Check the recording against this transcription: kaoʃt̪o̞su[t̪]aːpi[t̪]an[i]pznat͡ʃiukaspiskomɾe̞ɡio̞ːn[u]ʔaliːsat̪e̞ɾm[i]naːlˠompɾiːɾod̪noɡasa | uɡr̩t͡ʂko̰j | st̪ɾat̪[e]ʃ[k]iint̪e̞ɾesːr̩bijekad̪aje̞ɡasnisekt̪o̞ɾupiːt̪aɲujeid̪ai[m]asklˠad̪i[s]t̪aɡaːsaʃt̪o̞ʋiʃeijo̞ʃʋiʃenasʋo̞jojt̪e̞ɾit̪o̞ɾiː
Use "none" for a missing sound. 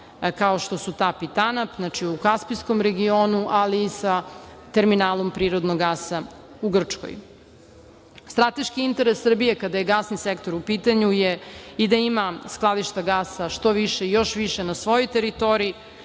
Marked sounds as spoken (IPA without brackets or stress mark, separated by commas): t̪, t̪, a, u, i, e, k, m, ʃ